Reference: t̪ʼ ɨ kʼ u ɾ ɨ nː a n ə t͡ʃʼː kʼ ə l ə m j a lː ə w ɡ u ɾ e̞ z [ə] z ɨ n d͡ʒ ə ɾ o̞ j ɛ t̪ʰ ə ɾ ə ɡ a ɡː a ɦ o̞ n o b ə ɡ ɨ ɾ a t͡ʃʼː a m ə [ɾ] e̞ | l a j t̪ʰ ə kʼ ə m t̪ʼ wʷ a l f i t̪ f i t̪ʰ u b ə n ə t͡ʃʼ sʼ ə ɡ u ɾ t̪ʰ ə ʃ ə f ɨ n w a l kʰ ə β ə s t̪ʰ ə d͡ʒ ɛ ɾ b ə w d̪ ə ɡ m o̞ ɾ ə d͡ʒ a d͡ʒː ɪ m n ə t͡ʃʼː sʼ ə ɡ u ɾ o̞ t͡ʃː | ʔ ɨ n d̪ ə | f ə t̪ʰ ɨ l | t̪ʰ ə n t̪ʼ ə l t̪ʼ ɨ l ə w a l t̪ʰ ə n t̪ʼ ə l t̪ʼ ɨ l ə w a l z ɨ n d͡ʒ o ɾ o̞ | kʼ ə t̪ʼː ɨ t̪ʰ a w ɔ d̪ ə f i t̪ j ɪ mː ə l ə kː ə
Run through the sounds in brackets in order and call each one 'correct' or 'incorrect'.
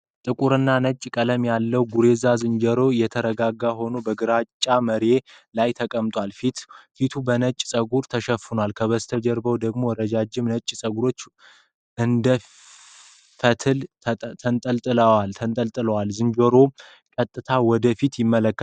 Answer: incorrect: a, correct

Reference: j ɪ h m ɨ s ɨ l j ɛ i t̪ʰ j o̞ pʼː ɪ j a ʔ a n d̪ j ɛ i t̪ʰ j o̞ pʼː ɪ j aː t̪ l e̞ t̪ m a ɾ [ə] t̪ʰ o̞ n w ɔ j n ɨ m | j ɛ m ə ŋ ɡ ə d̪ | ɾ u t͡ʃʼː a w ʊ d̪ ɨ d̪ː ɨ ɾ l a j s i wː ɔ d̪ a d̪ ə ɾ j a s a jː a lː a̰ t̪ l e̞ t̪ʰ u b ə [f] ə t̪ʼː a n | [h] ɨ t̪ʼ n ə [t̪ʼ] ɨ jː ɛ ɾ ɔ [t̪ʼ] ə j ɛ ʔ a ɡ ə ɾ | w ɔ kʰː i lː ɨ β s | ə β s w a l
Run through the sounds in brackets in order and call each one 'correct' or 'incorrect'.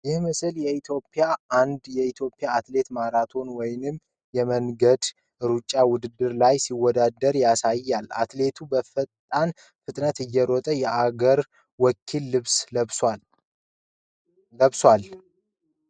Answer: incorrect: a, correct, incorrect: f, incorrect: t̪, correct

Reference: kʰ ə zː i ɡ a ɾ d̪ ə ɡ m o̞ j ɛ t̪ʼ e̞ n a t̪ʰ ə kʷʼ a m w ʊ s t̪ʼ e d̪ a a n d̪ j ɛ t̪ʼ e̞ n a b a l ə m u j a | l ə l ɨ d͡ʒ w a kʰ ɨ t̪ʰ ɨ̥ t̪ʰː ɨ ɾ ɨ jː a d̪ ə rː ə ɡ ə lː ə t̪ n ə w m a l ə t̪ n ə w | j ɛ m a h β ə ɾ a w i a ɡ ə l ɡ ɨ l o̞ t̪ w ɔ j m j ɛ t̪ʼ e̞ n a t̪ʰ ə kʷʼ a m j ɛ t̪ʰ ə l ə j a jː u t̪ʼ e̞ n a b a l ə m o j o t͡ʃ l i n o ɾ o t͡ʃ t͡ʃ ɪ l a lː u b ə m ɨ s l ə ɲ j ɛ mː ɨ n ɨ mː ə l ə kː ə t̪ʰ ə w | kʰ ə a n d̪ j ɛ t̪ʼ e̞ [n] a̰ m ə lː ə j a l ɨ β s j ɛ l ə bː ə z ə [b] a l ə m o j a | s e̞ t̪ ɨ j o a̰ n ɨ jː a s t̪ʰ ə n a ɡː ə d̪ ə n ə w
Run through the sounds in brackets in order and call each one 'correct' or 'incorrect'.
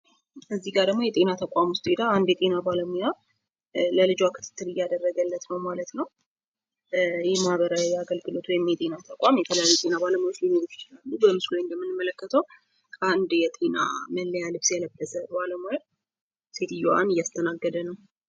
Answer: correct, correct

